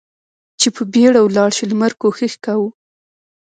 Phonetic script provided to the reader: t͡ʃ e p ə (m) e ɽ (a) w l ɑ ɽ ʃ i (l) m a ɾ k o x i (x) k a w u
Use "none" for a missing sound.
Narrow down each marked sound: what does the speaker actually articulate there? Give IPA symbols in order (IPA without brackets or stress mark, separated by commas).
b, a, l, x